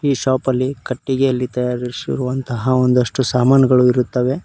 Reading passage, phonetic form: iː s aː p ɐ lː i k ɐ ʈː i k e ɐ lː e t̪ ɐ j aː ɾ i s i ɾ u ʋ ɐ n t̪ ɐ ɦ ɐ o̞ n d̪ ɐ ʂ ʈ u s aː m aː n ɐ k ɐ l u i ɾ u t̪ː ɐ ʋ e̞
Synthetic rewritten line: iː ʃ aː p ɐ lː i k ɐ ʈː i ɡ e ɐ lː i t̪ ɐ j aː ɾ i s i ɾ u ʋ ɐ n t̪ ɐ ɦ ɐ o̞ n d̪ ɐ ʂ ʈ u s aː m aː n ɐ ɡ ɐ ɭ u i ɾ u t̪ː ɐ ʋ e̞